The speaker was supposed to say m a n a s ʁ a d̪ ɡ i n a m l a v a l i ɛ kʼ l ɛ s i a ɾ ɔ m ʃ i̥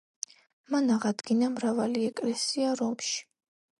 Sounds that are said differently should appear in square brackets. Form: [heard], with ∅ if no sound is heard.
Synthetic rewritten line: m a n a [∅] ʁ a d̪ ɡ i n a m [ɾ] a v a l i ɛ kʼ l ɛ s i a ɾ ɔ m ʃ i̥